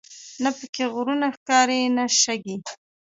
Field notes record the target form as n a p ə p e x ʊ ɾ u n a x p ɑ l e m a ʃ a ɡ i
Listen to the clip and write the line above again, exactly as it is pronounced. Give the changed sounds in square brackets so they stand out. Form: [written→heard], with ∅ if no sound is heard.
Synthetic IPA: n a p ə [p→k] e [x→ɣ] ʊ ɾ u n a x [p→k] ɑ [l→ɾ] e [m→n] a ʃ a ɡ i